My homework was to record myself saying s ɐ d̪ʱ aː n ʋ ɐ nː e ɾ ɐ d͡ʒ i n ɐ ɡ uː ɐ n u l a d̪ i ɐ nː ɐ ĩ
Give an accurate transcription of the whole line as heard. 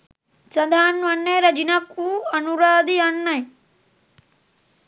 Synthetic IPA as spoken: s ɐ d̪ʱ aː n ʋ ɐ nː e ɾ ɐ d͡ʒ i n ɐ k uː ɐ n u ɾ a d̪ i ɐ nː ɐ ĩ